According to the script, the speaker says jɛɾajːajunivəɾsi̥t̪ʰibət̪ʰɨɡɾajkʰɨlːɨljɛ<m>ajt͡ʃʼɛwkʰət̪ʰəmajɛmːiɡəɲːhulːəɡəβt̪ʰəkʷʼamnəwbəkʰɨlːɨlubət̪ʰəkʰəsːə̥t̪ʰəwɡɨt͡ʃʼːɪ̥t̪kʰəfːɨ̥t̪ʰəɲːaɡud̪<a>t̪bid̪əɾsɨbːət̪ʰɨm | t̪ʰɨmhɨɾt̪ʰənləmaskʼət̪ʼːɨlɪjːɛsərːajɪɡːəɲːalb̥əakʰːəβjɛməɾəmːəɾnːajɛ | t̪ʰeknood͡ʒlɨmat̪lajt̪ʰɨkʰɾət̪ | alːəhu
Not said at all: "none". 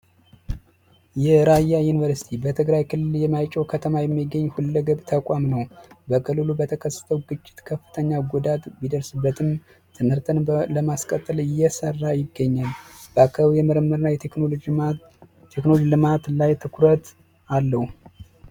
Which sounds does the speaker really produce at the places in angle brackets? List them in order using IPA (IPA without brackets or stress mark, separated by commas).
m, a